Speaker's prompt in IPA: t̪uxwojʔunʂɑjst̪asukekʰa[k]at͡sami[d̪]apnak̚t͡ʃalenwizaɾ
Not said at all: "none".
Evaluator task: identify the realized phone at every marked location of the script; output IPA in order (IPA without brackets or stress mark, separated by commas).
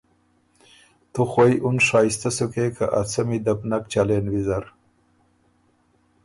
ʔ, d̪